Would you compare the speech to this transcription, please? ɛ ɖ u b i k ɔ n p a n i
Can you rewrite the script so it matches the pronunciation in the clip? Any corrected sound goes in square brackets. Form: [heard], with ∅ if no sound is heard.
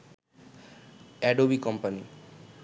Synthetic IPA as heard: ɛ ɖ [o] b i k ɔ [m] p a n i